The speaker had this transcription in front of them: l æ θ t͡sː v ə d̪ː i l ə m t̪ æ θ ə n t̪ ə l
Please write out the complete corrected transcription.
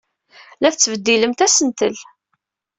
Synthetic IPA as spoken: l æ θ t͡sː v ə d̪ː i l ə m t̪ æ s ə n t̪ ə l